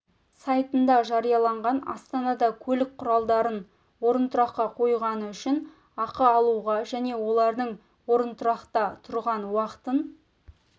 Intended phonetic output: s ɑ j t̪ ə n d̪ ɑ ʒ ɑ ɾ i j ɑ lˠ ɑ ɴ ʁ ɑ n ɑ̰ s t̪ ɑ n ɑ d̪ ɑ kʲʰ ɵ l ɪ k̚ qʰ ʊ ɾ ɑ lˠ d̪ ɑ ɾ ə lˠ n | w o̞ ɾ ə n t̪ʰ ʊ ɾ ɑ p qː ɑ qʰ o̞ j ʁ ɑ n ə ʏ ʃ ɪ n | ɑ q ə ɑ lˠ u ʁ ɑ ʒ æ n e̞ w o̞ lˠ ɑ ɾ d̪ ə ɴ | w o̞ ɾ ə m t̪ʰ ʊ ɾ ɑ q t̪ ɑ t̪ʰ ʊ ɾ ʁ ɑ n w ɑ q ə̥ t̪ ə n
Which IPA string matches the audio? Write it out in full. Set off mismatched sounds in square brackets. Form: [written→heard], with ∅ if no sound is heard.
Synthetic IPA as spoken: s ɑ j t̪ ə n d̪ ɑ ʒ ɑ ɾ i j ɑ lˠ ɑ ɴ ʁ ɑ n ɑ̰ s t̪ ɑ n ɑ d̪ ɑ kʲʰ ɵ l ɪ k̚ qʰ ʊ ɾ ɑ lˠ d̪ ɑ ɾ ə [lˠ→∅] n | w o̞ ɾ ə n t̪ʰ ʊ ɾ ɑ [p→q] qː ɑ qʰ o̞ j ʁ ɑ n ə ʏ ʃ ɪ n | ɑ q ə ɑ lˠ u ʁ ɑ ʒ æ n e̞ w o̞ lˠ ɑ ɾ d̪ ə ɴ | w o̞ ɾ ə [m→n] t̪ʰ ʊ ɾ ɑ q t̪ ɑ t̪ʰ ʊ ɾ ʁ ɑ n w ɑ q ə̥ t̪ ə n